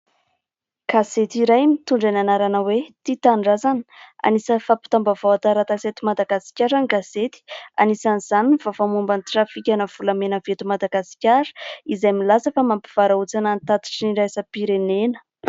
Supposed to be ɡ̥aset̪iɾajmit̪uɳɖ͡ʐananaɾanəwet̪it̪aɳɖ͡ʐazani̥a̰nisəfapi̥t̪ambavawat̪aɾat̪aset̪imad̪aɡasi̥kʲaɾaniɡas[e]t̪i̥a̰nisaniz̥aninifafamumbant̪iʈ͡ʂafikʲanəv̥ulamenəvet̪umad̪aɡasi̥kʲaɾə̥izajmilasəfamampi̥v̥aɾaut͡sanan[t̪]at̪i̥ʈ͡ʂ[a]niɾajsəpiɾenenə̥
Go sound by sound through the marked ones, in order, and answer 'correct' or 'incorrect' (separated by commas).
correct, correct, incorrect